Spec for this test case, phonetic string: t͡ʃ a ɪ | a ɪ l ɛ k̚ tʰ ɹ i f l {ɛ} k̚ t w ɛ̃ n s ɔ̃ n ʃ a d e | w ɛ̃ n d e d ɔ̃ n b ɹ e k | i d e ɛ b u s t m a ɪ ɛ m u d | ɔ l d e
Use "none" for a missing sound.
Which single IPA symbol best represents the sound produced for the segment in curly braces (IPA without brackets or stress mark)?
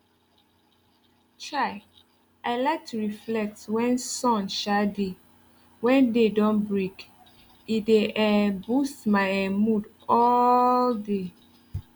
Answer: ɛ